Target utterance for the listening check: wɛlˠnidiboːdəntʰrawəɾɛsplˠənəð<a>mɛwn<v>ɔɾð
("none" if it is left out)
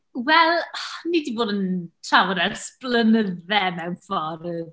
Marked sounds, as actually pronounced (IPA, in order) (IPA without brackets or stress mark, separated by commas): ɛ, f